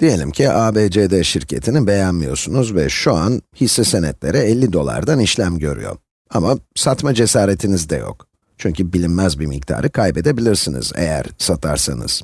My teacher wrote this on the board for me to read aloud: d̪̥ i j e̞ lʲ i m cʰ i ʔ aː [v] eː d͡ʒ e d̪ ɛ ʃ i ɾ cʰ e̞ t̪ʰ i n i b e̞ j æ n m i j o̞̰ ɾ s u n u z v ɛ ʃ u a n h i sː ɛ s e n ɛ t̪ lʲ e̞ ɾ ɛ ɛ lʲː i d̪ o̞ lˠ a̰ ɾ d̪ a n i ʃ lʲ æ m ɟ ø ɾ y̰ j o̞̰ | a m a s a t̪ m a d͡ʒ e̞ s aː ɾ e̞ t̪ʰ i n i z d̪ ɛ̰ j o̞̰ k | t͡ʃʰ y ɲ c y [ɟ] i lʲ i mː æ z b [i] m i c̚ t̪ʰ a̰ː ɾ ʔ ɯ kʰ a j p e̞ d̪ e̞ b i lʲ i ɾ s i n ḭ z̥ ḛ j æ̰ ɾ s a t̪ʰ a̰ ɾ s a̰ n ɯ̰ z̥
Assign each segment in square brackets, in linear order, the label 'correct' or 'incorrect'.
incorrect: b, incorrect: b, correct

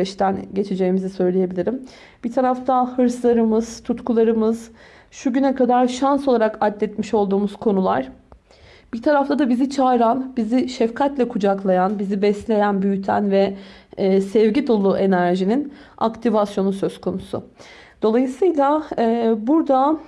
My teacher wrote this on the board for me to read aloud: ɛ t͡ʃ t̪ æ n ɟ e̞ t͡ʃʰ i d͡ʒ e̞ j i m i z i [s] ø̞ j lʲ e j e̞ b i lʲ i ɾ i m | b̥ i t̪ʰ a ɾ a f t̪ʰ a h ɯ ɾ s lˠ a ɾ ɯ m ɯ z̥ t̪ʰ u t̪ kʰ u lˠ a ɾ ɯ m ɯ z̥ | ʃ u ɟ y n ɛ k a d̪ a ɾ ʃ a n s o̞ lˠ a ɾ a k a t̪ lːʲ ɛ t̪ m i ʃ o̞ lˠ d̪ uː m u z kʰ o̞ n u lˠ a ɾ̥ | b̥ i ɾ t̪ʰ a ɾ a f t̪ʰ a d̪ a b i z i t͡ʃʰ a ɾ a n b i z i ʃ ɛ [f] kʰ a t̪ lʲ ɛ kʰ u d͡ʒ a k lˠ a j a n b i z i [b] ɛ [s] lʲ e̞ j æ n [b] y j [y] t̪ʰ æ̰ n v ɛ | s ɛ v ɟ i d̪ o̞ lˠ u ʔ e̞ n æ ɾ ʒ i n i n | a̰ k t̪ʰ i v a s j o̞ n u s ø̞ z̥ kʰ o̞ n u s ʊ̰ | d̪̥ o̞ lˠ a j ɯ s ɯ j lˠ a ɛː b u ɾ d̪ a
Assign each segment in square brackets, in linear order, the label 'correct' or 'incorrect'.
correct, correct, correct, correct, correct, correct

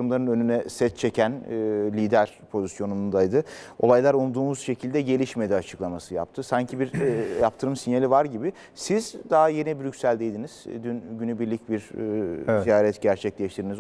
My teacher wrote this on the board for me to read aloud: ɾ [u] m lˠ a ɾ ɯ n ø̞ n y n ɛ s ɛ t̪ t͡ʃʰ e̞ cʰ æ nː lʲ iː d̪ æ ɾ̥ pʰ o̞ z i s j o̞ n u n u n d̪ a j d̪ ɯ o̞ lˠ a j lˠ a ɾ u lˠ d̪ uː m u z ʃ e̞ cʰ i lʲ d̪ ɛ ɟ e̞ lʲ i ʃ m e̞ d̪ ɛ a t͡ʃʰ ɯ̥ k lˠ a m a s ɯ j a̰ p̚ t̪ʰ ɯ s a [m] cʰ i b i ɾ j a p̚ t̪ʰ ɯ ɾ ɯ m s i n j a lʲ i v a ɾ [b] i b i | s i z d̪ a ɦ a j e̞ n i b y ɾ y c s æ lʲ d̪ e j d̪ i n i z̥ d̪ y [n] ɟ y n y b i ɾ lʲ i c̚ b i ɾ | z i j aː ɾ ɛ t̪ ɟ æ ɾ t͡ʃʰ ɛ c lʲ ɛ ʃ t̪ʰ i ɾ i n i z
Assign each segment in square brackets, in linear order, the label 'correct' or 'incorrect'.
incorrect: ɯ, incorrect: ɲ, incorrect: ɟ, correct

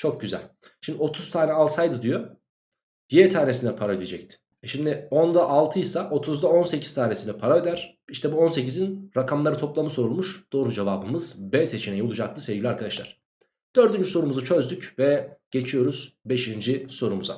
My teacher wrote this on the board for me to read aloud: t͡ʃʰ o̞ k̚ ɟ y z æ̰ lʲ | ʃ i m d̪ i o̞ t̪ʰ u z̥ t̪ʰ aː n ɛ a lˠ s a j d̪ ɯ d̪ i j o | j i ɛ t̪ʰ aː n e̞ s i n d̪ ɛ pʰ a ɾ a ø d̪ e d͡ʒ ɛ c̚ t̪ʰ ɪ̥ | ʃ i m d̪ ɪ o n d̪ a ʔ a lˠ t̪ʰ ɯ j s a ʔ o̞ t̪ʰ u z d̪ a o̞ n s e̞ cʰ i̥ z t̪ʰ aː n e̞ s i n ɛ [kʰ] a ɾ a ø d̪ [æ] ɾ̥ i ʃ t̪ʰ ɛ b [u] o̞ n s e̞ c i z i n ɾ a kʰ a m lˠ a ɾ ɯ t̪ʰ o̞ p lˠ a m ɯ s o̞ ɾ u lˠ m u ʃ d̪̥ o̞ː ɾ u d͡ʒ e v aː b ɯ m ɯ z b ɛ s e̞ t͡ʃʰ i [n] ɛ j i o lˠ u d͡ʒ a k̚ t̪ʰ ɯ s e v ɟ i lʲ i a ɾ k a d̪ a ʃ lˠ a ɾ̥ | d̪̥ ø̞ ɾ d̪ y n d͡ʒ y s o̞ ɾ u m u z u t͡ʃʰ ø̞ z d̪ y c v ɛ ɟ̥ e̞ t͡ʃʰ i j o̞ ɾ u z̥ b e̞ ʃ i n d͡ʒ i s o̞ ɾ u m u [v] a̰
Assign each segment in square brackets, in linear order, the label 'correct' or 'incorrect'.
incorrect: pʰ, correct, correct, correct, incorrect: z

